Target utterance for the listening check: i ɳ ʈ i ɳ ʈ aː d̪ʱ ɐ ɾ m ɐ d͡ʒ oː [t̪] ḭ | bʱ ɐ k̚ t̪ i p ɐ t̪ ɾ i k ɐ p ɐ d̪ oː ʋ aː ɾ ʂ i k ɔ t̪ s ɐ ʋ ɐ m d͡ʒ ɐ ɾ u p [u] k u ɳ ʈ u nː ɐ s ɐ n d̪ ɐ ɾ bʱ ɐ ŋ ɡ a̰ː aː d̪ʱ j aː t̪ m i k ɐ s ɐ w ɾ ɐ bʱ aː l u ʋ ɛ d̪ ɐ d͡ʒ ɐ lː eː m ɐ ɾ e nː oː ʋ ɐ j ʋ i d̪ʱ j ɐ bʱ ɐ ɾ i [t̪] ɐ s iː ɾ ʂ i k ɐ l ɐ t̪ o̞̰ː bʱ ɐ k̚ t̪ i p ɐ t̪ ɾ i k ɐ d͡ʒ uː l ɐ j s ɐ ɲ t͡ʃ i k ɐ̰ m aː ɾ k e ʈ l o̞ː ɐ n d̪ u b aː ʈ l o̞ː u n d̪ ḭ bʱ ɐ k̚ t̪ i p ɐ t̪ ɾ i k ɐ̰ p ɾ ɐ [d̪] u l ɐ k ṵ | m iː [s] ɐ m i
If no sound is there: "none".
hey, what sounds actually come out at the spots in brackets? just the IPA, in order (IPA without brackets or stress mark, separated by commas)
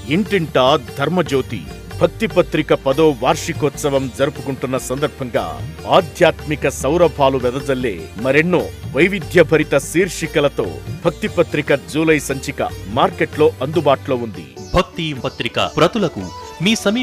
t̪, u, t̪, t̪, s